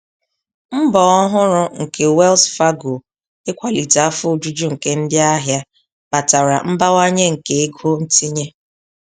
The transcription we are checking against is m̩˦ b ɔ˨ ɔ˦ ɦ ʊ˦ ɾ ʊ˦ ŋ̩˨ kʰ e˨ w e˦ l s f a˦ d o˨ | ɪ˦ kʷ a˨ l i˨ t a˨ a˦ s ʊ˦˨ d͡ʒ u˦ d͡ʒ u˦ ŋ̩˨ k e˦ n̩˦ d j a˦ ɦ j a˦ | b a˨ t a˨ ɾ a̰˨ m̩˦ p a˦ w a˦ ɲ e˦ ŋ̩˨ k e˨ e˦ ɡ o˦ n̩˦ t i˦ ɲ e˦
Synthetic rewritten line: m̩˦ b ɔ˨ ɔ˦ ɦ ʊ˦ ɾ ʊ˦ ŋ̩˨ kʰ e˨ w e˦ l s f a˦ ɡ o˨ | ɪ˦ kʷ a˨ l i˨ t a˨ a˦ f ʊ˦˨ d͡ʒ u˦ d͡ʒ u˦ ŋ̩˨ k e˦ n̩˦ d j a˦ ɦ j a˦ | b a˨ t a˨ ɾ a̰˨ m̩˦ b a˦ w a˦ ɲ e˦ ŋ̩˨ k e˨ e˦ ɡ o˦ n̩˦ t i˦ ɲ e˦